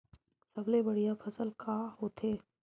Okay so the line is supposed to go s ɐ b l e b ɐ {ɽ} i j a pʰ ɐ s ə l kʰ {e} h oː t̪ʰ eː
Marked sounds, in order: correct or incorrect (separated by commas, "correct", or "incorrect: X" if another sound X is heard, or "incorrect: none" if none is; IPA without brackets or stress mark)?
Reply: correct, incorrect: a